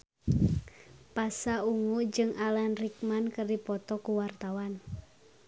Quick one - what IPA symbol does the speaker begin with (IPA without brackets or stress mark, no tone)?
p